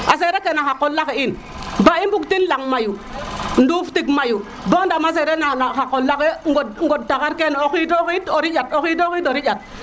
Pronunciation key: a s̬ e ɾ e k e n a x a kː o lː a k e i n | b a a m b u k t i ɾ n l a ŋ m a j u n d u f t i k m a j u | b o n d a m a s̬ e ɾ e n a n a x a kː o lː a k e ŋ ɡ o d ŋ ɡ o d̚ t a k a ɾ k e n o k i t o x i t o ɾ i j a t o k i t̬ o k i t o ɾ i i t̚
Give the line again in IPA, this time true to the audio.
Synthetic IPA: a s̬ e ɾ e k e n a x a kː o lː a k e i n | b a i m b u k t i n l a ŋ m a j u n d u f t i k m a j u | b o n d a m a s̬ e ɾ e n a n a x a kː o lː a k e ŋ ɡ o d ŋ ɡ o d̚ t a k a ɾ k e n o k i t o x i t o ɾ i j a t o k i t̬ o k i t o ɾ i a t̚